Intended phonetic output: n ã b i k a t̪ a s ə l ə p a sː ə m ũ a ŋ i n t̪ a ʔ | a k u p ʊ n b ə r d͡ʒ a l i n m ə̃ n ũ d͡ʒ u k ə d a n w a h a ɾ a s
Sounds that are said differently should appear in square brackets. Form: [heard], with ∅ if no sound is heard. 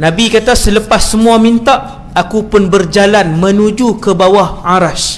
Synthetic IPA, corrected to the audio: n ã b i k a t̪ a s ə l ə p a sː ə m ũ a [m] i n t̪ a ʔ | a k u p ʊ n b ə r d͡ʒ a l [a] n m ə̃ n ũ d͡ʒ u k ə [b] a [∅] w a h a ɾ a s